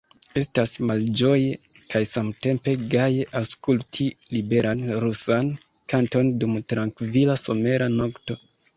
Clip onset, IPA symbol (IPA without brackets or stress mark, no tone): e̞